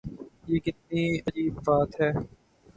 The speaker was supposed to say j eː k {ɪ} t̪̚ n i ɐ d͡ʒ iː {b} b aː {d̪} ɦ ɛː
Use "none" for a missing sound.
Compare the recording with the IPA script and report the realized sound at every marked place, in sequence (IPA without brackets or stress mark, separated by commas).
ɪ, b, t̪